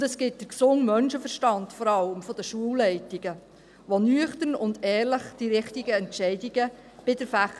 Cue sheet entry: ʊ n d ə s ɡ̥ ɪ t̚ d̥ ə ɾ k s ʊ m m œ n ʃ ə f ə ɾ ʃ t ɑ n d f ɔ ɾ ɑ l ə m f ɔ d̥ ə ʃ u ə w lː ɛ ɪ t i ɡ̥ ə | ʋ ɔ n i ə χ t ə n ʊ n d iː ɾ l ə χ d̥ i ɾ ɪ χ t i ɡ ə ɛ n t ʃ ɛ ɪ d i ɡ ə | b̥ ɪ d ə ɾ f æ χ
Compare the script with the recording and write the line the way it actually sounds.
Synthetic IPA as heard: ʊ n d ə s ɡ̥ ɪ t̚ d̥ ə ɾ k s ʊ ŋ m œ n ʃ ə f ə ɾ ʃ t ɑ n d f ɔ ɾ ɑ l ə m f ɔ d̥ ə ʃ u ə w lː ɛ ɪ t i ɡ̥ ə | ʋ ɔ n y ə χ t ə n ʊ n d ɛː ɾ l ə χ d̥ i ɾ ɪ χ t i ɡ ə ɛ n t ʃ ɛ ɪ d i ɡ ə | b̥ ɪ d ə ɾ f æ χ